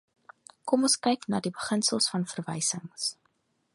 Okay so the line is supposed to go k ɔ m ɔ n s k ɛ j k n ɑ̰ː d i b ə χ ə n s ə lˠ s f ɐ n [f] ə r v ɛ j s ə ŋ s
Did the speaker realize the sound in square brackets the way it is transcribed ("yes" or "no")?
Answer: yes